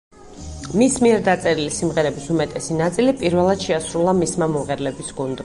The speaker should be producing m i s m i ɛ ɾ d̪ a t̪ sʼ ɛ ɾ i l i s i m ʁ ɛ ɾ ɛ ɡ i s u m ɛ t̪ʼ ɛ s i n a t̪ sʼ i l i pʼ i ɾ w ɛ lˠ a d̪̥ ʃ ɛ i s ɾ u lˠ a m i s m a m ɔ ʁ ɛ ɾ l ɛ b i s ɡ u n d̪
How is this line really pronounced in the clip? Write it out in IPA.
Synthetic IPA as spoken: m i s m i ɛ ɾ d̪ a t̪ sʼ ɛ ɾ i l i s i m ʁ ɛ ɾ ɛ b i s u m ɛ t̪ʼ ɛ s i n a t̪ sʼ i l i pʼ i ɾ v ɛ lˠ a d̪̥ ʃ ɛ a s ɾ u lˠ a m i s m a m ɔ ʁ ɛ ɾ l ɛ b i s ɡ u n d̪